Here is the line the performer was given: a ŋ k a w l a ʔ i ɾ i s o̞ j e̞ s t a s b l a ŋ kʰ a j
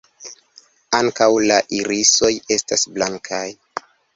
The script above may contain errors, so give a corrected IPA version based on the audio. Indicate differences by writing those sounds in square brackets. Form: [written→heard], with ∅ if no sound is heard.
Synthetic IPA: a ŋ k a w l a ʔ i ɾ i s o̞ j e̞ s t a s b l a ŋ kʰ a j